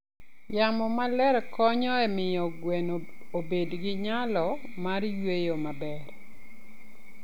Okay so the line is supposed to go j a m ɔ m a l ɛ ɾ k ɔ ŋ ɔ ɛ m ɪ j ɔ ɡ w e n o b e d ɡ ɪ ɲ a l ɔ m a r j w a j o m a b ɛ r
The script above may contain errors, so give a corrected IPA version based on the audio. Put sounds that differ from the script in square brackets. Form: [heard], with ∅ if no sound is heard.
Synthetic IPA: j a m ɔ m a l ɛ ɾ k ɔ [ɲ] ɔ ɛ m ɪ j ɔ ɡ w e n o b e d ɡ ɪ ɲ a l ɔ m a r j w [e] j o m a b ɛ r